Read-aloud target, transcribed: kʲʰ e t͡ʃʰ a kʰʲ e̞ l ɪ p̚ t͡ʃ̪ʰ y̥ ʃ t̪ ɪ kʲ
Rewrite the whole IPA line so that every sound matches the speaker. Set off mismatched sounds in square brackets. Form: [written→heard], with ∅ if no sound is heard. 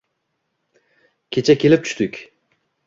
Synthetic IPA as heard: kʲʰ e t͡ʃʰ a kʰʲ e̞ l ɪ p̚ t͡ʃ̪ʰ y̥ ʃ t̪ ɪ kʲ